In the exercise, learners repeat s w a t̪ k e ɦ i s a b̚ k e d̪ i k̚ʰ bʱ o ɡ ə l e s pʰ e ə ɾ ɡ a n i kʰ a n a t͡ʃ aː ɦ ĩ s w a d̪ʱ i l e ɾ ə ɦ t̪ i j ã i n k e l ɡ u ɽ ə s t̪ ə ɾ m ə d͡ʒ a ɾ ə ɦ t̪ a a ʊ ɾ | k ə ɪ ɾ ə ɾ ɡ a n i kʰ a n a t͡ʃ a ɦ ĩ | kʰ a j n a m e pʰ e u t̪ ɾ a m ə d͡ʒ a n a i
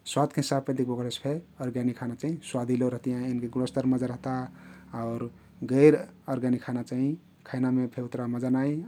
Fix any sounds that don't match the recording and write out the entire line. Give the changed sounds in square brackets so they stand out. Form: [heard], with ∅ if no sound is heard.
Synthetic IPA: s w a t̪ k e ɦ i s a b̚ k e d̪ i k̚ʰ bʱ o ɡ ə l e s pʰ e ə ɾ ɡ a n i kʰ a n a t͡ʃ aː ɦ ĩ s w a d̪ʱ i l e ɾ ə ɦ t̪ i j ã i n k e [∅] ɡ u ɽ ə s t̪ ə ɾ m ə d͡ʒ a ɾ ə ɦ t̪ a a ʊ ɾ | [ɡ] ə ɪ ɾ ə ɾ ɡ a n i kʰ a n a t͡ʃ a ɦ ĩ | kʰ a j n a m e pʰ e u t̪ ɾ a m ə d͡ʒ a n a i